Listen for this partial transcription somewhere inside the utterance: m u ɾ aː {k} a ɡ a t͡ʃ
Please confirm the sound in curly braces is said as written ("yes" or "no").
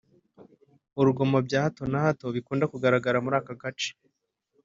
yes